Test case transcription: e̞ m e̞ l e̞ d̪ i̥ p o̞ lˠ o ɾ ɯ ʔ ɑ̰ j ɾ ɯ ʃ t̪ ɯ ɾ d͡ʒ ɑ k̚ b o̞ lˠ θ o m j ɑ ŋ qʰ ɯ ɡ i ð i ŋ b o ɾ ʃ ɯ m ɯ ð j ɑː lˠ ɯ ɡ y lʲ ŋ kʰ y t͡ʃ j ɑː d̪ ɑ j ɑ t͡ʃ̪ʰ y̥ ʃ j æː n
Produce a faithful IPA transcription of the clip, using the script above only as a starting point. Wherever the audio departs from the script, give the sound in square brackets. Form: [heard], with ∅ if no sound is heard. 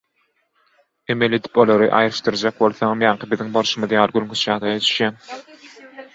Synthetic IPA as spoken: e̞ m e̞ l e̞ d̪ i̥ p o̞ lˠ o ɾ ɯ ʔ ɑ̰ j ɾ ɯ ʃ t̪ ɯ ɾ d͡ʒ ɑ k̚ b o̞ lˠ θ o m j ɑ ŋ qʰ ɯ [b] i ð i ŋ b o ɾ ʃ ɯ m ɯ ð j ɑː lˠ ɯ ɡ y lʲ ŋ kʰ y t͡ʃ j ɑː d̪ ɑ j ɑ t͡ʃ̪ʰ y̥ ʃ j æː n